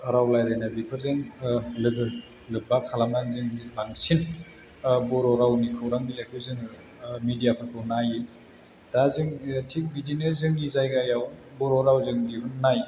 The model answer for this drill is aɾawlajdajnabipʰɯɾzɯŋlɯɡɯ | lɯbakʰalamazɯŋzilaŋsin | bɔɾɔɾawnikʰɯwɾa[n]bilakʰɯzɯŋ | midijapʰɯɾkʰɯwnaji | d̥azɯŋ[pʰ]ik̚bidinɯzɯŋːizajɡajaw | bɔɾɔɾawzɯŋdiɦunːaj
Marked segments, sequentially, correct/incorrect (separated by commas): incorrect, incorrect